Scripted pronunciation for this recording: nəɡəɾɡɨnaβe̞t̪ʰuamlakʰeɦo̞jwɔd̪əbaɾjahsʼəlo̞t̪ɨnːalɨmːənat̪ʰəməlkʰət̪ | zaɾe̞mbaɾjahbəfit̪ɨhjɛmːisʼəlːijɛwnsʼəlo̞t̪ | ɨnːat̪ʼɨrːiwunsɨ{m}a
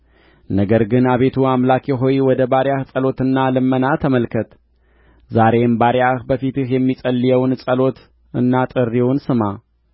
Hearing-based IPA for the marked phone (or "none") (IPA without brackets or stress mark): m